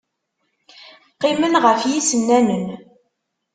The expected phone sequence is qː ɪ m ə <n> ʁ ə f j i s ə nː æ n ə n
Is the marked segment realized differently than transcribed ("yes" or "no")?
no